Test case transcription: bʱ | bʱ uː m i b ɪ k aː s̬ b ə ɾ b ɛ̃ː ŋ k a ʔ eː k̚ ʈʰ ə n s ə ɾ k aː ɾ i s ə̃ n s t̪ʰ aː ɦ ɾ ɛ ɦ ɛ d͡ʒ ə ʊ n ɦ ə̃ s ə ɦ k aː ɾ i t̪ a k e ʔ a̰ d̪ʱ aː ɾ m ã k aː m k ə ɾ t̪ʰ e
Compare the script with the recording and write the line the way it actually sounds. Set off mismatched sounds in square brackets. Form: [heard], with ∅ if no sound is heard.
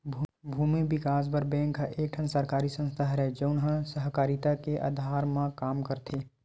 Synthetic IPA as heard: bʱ | bʱ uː m i b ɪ k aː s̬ b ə ɾ b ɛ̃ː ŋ k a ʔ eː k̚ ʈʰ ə n s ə ɾ k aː ɾ i s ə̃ n s t̪ʰ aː ɦ ɾ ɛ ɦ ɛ d͡ʒ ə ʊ n ɦ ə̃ s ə ɦ k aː ɾ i t̪ a k e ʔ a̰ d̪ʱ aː ɾ m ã k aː m k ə ɾ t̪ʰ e